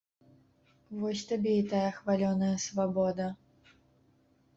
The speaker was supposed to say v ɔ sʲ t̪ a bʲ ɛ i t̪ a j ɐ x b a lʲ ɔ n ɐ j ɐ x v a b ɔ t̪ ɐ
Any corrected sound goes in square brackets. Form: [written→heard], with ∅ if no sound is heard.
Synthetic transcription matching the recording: v ɔ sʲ t̪ a bʲ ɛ i t̪ a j ɐ x [b→v] a lʲ ɔ n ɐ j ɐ [x→s] v a b ɔ [t̪→d̪] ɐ